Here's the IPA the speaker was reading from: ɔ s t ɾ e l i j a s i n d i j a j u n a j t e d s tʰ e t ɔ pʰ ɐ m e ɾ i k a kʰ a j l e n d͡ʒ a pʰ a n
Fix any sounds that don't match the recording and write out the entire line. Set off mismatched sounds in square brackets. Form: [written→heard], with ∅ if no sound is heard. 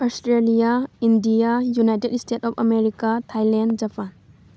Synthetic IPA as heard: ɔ s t ɾ e l i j a [s→∅] i n d i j a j u n a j t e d s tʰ e t ɔ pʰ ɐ m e ɾ i k a [kʰ→tʰ] a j l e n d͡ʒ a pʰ a n

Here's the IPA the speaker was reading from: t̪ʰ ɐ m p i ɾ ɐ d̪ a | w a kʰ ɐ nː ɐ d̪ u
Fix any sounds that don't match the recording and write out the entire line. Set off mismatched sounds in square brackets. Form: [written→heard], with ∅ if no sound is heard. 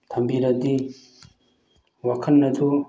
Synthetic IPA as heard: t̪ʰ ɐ m [p→b] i ɾ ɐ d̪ [a→i] | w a kʰ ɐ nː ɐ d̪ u

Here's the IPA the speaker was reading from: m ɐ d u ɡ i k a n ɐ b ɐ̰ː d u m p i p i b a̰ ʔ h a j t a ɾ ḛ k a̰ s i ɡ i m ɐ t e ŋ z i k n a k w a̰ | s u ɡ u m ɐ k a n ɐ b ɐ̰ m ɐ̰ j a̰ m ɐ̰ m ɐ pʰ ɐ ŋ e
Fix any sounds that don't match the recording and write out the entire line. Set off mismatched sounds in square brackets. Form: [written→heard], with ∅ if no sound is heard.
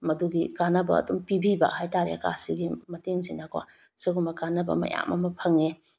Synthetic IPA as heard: m ɐ d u ɡ i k a n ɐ b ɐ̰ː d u m p i [p→b] i b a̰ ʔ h a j t a ɾ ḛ k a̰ s i ɡ i m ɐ t e ŋ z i [k→∅] n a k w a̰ | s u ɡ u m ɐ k a n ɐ b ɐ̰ m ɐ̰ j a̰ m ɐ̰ m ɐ pʰ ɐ ŋ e

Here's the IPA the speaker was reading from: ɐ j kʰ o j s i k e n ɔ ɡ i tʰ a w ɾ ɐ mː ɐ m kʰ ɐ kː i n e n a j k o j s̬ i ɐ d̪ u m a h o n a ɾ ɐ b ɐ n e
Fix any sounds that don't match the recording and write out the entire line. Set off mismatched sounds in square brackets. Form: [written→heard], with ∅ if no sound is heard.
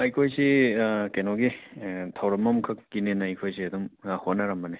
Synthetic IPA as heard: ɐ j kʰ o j s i k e n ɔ ɡ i tʰ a w ɾ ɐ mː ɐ m kʰ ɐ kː i n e n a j [k→kʰ] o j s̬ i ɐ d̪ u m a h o n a ɾ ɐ [b→m] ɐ n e

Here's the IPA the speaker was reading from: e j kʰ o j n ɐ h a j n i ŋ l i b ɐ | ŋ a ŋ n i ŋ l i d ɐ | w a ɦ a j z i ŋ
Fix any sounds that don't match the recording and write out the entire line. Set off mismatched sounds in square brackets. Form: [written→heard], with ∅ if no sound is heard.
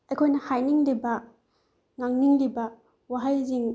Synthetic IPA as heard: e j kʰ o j n ɐ h a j n i ŋ l i b ɐ | ŋ a ŋ n i ŋ l i [d→b] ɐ | w a ɦ a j z i ŋ

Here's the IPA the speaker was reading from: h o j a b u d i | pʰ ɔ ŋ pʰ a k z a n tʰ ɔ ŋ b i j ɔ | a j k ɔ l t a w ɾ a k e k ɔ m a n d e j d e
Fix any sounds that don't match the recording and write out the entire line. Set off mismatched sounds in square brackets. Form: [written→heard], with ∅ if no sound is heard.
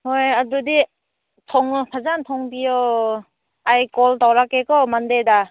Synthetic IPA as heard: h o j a [b→d] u d i | [pʰ→tʰ] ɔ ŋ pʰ a [k→∅] z a n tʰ ɔ ŋ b i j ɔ | a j k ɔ l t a w ɾ a k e k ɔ m a n d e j d [e→a]

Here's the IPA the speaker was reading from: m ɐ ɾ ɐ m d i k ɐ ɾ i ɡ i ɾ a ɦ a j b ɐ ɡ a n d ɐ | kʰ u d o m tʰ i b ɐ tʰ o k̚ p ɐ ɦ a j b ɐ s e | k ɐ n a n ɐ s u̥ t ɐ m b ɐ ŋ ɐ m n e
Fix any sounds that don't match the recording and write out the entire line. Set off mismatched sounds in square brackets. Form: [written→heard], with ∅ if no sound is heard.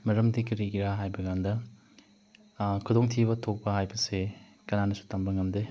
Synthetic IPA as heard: m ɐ ɾ ɐ m d i k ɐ ɾ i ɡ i ɾ a ɦ a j b ɐ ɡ a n d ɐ | kʰ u d o [m→ŋ] tʰ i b ɐ tʰ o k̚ p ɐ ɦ a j b ɐ s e | k ɐ n a n ɐ s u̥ t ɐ m b ɐ ŋ ɐ m [n→d] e

